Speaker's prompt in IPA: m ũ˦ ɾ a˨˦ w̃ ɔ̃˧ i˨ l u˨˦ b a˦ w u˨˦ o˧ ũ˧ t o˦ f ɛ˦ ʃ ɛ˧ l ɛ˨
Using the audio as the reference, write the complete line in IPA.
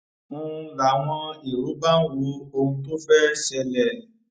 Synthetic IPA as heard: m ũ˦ ɾ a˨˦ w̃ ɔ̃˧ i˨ ɾ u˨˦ b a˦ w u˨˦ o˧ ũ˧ t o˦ f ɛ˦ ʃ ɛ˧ l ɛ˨